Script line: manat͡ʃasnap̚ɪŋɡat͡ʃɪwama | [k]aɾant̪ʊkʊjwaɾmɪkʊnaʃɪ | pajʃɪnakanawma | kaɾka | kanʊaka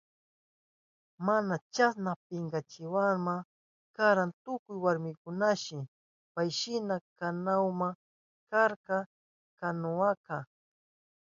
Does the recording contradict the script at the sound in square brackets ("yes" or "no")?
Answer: no